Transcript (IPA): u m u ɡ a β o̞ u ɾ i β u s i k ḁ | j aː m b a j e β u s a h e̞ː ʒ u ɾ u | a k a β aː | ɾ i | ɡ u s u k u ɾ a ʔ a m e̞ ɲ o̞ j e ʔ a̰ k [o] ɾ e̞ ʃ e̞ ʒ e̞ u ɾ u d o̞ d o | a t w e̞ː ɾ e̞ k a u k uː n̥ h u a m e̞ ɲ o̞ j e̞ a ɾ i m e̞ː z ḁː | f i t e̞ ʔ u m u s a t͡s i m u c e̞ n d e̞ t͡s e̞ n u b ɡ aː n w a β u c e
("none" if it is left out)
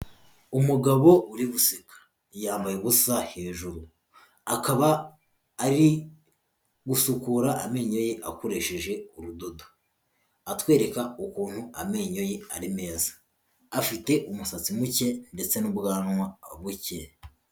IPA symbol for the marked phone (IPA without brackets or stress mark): o